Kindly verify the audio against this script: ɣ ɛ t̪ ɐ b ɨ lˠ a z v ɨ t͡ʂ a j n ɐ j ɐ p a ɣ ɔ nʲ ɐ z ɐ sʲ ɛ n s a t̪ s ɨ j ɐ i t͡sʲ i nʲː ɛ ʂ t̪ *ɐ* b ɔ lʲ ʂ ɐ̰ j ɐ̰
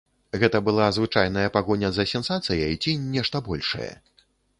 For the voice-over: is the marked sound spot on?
yes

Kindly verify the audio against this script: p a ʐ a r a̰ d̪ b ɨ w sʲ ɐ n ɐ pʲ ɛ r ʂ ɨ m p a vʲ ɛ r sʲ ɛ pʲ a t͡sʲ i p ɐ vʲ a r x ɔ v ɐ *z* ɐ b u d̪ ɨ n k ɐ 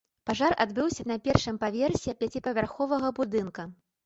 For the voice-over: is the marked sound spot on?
no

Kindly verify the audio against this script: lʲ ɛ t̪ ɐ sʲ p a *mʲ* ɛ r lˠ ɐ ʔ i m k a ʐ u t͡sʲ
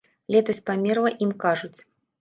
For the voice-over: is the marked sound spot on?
yes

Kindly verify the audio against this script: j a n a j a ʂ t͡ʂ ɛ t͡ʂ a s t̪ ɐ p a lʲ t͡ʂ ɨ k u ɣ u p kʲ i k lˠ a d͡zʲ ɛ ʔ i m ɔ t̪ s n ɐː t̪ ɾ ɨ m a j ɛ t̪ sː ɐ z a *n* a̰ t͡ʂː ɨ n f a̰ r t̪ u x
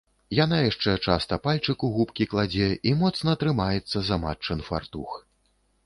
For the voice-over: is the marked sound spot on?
no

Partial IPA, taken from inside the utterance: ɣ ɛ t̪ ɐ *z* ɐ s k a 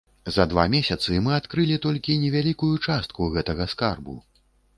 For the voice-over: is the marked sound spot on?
no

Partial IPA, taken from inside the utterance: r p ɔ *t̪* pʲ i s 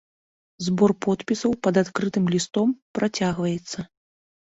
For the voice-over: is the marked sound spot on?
yes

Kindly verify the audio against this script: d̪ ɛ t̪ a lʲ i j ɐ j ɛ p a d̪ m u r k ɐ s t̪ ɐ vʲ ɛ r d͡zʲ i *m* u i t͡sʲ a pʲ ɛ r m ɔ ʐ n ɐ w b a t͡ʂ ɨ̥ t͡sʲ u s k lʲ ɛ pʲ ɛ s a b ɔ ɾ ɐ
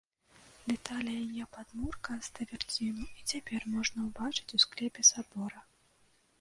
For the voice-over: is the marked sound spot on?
no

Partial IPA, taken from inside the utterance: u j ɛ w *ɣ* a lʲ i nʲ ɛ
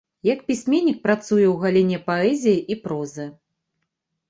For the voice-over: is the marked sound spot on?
yes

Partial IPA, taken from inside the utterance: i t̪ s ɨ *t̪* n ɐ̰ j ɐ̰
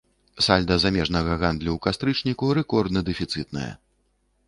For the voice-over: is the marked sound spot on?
yes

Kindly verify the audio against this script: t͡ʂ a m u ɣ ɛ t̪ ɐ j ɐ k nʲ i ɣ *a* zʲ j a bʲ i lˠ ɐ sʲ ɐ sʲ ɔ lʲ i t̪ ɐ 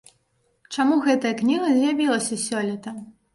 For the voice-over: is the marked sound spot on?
no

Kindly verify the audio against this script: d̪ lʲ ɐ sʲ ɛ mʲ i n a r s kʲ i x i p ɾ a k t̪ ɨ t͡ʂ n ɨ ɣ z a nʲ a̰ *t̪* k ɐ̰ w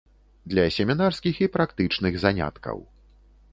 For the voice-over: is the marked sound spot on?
yes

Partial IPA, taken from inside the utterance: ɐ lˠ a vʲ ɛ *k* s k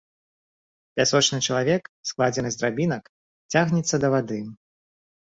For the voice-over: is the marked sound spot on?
yes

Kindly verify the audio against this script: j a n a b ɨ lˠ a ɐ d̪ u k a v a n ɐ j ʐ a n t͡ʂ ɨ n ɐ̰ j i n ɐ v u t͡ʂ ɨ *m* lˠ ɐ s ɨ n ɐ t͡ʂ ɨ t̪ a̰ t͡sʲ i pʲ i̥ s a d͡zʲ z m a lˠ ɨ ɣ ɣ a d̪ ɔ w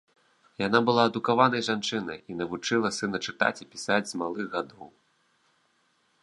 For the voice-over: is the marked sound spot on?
no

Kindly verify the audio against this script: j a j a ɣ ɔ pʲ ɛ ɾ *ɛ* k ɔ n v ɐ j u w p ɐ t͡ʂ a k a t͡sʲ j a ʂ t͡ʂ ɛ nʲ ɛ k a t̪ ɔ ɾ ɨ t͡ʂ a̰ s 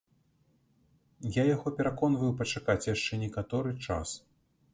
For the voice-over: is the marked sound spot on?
no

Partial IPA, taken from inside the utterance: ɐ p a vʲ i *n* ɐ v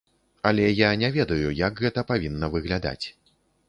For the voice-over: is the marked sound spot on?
no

